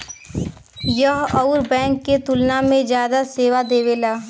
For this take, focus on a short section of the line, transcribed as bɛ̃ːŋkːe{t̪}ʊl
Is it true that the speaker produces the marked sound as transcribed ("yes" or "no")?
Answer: yes